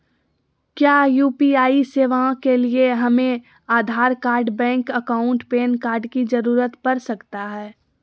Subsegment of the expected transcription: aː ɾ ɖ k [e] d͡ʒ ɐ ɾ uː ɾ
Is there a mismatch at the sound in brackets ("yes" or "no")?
yes